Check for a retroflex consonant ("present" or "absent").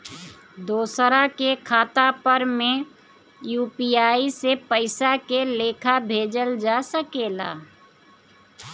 absent